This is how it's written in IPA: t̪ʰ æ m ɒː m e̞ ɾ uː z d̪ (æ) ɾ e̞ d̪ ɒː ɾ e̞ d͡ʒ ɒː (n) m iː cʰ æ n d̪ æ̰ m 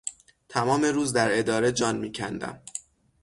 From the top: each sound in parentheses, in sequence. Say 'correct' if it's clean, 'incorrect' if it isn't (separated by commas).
correct, correct